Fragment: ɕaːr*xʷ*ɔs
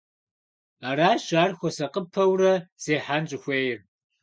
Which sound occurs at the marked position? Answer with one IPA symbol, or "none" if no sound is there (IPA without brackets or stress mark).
xʷ